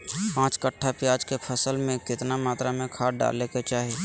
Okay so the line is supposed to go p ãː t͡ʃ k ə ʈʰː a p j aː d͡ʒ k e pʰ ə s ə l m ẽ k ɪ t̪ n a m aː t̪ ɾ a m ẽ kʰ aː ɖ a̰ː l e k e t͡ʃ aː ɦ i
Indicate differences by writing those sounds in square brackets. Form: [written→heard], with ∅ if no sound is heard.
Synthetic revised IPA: p ãː t͡ʃ k ə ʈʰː a p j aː d͡ʒ k e pʰ ə s ə l m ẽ k ɪ t̪ n a m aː t̪ ɾ a m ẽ kʰ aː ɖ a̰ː l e k e t͡ʃ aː ɦ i